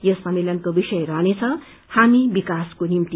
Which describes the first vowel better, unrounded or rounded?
unrounded